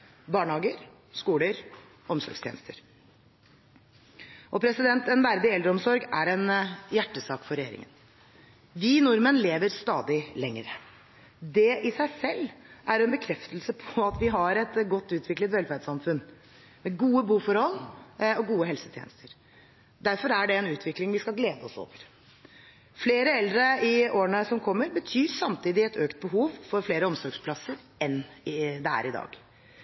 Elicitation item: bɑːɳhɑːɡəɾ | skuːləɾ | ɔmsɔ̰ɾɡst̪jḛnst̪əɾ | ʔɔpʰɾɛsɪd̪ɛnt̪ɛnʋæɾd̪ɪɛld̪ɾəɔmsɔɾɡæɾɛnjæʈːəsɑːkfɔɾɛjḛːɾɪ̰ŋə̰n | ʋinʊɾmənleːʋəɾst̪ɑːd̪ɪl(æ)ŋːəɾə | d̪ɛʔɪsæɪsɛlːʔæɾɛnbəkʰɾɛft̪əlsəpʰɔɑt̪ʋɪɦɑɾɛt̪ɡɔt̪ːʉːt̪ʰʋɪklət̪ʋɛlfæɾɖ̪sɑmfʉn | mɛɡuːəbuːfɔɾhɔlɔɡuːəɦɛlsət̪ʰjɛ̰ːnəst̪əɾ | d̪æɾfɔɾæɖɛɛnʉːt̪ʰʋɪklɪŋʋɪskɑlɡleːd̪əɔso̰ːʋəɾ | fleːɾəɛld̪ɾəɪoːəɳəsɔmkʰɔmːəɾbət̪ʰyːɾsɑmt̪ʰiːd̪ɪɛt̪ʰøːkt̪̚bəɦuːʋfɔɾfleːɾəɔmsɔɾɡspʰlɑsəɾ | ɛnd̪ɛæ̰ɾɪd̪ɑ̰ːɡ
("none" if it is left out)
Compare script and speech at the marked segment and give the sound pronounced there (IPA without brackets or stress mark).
ɛ